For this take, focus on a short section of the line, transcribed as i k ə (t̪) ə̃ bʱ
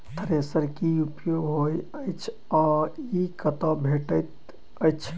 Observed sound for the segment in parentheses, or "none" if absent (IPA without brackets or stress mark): t̪